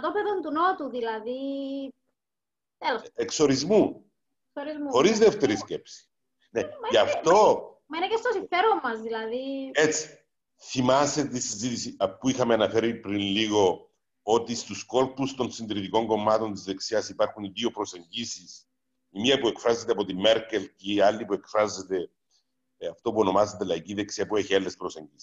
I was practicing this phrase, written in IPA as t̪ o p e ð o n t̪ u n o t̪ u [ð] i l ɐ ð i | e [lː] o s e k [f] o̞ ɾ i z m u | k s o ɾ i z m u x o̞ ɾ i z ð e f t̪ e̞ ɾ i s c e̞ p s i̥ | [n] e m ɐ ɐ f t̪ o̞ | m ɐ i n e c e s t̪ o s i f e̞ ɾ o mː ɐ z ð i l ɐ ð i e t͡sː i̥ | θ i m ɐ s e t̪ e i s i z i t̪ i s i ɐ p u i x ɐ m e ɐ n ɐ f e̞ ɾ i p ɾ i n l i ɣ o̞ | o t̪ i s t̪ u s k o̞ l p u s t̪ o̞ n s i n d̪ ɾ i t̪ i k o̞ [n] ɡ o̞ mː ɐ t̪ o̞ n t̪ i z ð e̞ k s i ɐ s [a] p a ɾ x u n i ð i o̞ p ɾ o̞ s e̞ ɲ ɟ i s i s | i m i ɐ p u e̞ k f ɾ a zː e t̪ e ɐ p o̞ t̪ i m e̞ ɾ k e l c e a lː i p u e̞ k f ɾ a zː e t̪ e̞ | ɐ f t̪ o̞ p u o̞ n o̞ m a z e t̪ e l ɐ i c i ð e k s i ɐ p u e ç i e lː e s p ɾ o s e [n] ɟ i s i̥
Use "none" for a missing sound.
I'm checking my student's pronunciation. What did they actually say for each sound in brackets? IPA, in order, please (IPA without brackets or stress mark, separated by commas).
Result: ð, l, s, n, ŋ, i, ɲ